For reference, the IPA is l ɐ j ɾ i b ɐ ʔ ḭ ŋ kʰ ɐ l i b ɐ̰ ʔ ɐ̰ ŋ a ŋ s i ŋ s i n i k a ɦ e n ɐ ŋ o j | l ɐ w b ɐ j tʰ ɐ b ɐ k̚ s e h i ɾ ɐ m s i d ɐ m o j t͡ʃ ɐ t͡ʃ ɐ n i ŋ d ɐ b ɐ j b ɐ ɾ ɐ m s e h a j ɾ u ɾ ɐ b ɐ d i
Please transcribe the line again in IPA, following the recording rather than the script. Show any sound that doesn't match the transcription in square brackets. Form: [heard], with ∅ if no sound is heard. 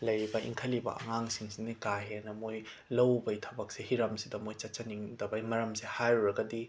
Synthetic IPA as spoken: l ɐ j ɾ i b ɐ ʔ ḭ ŋ kʰ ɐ l i b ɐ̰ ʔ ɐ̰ ŋ a ŋ s i ŋ s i n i k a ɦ e n ɐ [m] o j | l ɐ w b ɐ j tʰ ɐ b ɐ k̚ s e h i ɾ ɐ m s i d ɐ m o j t͡ʃ ɐ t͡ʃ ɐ n i ŋ d ɐ b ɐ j [m] ɐ ɾ ɐ m s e h a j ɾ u ɾ ɐ [ɡ] ɐ d i